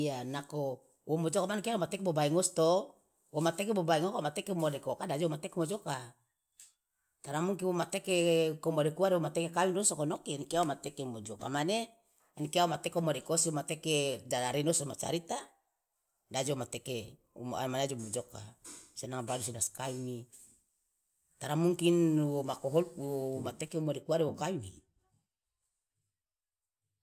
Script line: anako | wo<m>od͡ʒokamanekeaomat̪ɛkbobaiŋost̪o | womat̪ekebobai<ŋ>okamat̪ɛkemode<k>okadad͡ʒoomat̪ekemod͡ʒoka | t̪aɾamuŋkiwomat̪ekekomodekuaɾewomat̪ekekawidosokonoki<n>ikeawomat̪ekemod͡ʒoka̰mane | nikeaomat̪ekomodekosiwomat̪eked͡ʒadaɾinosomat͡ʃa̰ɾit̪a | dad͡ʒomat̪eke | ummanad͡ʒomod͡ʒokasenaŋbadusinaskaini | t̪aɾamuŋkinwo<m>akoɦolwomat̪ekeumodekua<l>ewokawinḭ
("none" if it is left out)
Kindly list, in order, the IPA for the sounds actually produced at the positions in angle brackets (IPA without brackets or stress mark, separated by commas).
m, ŋ, k, n, m, ɾ